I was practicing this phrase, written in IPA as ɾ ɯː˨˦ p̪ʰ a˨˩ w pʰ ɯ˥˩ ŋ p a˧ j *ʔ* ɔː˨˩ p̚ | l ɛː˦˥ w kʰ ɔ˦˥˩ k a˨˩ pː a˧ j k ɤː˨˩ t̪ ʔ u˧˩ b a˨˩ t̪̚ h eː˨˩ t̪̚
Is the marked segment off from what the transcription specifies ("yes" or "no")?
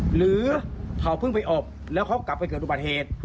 no